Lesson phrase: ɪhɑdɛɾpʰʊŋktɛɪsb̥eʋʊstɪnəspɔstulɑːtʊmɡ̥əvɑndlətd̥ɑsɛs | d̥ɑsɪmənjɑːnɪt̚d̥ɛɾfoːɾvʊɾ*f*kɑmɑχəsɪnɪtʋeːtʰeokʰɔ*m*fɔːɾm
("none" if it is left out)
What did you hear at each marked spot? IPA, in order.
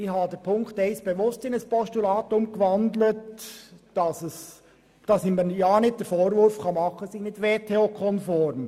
f, n

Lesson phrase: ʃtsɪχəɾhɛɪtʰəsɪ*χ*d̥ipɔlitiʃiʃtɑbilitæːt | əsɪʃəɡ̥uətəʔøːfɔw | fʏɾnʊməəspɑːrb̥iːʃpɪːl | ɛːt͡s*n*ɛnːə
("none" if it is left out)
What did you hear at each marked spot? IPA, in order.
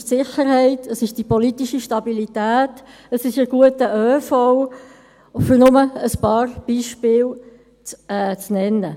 ʃ, n

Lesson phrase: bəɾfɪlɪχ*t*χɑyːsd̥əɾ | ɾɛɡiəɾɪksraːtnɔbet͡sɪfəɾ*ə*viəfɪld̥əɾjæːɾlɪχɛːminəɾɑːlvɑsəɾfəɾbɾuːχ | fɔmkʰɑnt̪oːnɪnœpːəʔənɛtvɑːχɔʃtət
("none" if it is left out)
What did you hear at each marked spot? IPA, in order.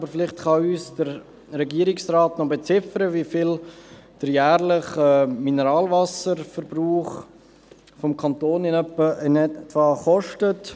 t, ə

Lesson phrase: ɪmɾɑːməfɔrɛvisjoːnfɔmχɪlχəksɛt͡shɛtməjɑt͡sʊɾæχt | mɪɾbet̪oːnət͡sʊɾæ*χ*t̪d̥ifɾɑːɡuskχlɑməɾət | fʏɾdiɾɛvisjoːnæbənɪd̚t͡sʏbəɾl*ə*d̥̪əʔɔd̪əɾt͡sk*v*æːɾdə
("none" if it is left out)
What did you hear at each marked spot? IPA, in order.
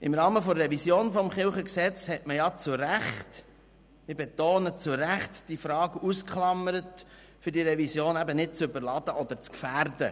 χ, ɑ, f

